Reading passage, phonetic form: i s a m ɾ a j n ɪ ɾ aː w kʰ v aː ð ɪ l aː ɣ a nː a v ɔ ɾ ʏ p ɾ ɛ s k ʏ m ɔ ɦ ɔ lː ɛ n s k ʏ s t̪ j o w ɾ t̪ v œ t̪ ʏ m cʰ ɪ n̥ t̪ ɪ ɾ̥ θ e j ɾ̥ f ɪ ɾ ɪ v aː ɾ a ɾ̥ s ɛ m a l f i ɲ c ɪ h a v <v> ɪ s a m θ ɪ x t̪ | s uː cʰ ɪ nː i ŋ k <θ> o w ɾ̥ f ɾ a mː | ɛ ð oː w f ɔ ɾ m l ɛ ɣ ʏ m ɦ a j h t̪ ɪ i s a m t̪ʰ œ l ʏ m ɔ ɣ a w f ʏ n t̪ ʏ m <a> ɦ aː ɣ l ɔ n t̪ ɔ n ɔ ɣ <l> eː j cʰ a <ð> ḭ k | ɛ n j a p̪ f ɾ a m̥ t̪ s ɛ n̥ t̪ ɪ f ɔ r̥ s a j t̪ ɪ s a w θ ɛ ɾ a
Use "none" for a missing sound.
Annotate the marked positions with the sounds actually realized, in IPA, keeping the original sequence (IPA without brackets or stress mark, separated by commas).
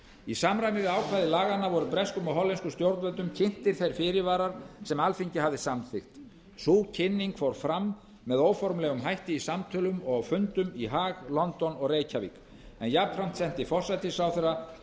ð, f, i, r, v